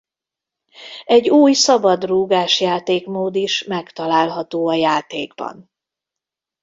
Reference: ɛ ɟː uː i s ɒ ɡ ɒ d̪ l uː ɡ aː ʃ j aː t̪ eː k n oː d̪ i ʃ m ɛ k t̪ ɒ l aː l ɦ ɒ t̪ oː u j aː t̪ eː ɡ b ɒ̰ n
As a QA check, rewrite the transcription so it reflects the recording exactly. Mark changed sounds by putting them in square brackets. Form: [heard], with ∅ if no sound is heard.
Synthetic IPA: ɛ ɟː uː [j] s ɒ [b] ɒ d̪ [r] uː ɡ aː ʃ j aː t̪ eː k [m] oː d̪ i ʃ m ɛ k t̪ ɒ l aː l ɦ ɒ t̪ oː [ɒ] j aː t̪ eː ɡ b ɒ̰ n